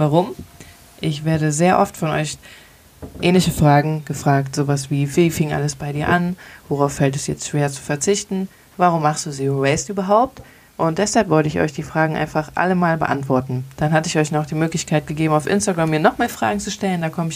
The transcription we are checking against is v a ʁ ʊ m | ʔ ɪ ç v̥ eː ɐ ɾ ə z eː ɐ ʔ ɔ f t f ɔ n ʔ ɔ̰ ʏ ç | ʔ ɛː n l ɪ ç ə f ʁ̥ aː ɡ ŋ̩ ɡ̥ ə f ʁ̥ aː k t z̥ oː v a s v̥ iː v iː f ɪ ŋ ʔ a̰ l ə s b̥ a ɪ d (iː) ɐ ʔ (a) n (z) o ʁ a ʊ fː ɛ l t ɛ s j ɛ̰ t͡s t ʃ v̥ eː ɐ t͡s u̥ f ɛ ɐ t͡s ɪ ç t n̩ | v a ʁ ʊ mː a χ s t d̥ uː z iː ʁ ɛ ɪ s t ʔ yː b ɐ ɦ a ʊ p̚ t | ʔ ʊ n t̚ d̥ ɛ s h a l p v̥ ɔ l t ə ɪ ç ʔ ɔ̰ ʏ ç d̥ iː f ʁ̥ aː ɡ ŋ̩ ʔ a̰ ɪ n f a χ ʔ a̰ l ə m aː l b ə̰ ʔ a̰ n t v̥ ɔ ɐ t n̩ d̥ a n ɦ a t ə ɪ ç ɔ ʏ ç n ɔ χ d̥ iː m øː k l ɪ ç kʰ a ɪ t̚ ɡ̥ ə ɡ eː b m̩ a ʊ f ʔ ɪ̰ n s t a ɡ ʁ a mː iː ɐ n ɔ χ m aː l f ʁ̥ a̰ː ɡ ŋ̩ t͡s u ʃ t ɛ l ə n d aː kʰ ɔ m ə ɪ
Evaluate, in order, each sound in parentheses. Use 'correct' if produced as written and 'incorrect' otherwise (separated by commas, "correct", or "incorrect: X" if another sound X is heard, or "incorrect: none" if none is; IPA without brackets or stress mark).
correct, correct, incorrect: v